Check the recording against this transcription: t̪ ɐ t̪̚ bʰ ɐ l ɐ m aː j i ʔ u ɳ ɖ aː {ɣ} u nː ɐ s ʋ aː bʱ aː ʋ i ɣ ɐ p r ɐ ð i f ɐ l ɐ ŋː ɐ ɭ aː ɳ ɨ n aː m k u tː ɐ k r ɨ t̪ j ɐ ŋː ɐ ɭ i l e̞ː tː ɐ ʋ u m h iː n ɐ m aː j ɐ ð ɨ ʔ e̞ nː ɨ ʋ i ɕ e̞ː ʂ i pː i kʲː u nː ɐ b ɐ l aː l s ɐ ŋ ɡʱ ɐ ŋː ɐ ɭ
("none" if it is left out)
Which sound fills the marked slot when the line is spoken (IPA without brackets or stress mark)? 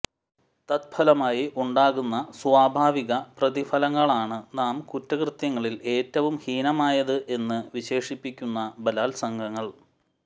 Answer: ɣ